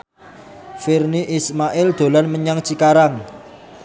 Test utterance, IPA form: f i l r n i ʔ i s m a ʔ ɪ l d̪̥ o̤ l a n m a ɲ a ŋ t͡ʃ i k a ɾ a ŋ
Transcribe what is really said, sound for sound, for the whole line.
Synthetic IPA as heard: f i r n i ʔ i s m a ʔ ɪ l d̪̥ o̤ l a n m ə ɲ a ŋ t͡ʃ i k a ɾ a ŋ